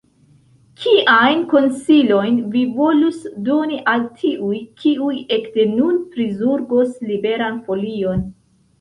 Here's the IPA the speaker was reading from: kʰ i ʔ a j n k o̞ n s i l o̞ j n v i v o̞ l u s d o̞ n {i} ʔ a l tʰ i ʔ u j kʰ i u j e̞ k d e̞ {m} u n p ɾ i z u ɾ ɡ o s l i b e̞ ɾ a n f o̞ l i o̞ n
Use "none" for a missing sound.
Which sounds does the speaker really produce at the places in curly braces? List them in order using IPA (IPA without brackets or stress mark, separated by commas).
i, n